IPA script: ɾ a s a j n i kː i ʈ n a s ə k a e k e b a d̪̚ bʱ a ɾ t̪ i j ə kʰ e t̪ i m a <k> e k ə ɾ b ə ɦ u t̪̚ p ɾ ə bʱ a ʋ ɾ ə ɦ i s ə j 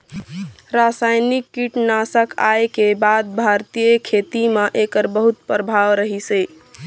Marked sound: incorrect: ʔ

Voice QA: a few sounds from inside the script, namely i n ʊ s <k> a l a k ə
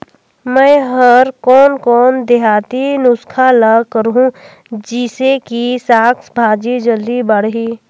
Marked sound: incorrect: kʰ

